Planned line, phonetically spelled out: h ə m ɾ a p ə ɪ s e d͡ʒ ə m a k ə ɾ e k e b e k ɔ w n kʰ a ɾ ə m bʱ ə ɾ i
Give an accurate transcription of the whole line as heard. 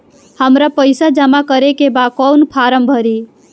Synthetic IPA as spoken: h ə m ɾ a p ə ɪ s a d͡ʒ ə m a k ə ɾ e k e b a k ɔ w n pʰ a ɾ ə m bʱ ə ɾ i